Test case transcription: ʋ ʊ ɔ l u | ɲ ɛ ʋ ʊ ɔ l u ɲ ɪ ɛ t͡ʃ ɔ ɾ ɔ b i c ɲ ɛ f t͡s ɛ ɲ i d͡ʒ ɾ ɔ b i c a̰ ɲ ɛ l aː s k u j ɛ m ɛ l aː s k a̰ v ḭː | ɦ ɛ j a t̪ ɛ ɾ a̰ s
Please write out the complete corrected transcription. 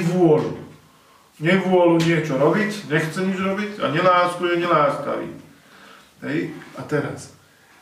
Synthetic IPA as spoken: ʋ ʊ ɔ l u | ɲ ɛ ʋ ʊ ɔ l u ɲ ɪ ɛ t͡ʃ ɔ ɾ ɔ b i c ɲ ɛ x t͡s ɛ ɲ i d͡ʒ ɾ ɔ b i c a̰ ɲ ɛ l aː s k u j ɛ ɲ ɛ l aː s k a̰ ʋ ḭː | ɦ ɛ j a t̪ ɛ ɾ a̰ s